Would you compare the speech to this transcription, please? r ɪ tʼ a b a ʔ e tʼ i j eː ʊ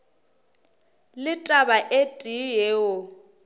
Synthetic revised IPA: l ɪ tʼ a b a ʔ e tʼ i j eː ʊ